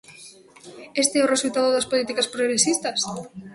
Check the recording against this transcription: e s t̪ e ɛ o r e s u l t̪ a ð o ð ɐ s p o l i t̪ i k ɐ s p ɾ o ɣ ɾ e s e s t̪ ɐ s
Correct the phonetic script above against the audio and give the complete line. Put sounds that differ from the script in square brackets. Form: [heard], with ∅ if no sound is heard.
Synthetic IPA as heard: e s t̪ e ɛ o r e s u l t̪ a ð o ð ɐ s p o l i t̪ i k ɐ s p ɾ o ɣ ɾ e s [i] s t̪ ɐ s